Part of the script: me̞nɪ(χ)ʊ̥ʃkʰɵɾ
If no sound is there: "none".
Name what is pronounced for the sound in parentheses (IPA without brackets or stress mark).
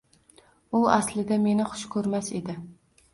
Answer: χ